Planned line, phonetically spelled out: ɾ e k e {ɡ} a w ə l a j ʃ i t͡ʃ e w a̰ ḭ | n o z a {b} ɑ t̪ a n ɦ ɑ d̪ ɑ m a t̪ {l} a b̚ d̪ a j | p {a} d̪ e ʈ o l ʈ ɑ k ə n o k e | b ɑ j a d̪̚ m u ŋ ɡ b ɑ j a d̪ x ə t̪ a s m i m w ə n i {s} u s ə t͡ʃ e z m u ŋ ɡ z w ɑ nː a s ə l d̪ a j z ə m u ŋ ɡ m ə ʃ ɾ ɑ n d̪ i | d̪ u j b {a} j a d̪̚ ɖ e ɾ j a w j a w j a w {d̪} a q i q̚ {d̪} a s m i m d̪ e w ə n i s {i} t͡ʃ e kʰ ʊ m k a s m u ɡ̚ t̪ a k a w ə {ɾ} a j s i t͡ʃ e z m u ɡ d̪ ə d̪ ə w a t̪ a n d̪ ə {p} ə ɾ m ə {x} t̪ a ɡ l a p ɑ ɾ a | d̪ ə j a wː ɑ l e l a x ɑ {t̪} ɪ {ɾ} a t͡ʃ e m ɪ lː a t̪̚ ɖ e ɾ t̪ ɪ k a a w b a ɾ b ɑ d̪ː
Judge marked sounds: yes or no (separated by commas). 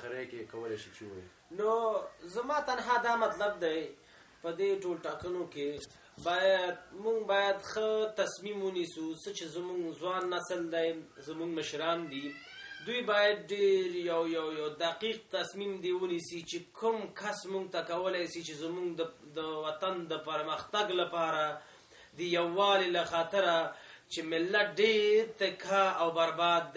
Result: no, no, yes, no, yes, no, yes, no, yes, no, yes, yes, yes, yes